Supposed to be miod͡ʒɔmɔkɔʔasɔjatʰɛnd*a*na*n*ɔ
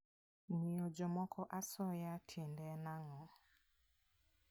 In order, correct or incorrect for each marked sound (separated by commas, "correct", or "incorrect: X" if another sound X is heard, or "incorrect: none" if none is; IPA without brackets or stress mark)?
incorrect: ɛ, incorrect: ŋ